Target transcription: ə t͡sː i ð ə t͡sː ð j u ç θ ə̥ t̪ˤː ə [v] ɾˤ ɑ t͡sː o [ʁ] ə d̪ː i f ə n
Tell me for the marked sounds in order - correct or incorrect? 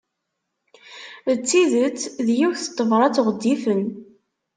correct, correct

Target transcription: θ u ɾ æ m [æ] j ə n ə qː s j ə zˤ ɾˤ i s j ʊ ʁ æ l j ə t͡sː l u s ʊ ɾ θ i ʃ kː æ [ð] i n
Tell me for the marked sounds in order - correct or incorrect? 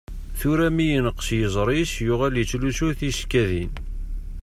incorrect: i, correct

